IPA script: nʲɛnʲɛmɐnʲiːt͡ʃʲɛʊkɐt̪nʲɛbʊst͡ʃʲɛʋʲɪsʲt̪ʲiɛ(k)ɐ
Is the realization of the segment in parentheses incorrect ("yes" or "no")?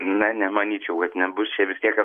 no